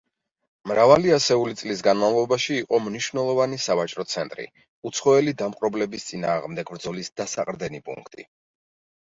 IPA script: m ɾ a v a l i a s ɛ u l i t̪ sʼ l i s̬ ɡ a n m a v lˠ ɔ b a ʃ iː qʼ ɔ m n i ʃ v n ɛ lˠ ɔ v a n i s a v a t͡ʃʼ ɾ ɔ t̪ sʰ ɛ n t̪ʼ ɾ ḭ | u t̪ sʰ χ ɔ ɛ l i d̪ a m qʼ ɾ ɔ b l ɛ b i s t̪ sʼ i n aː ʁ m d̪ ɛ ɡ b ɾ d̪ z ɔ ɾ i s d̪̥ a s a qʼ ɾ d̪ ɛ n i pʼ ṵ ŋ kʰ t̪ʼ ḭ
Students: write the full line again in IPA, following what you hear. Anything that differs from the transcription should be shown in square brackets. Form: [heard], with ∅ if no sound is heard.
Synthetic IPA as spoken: m ɾ a v a l i a s ɛ u l i t̪ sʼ l i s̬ ɡ a n m a v lˠ ɔ b a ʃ iː qʼ ɔ m n i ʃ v n ɛ lˠ ɔ v a n i s a v a t͡ʃʼ ɾ ɔ t̪ sʰ ɛ n t̪ʼ ɾ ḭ | u t̪ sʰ χ ɔ ɛ l i d̪ a m qʼ ɾ ɔ b l ɛ b i s t̪ sʼ i n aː ʁ m d̪ ɛ ɡ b ɾ d̪ z ɔ [l] i s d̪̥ a s a qʼ ɾ d̪ ɛ n i pʼ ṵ ŋ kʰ t̪ʼ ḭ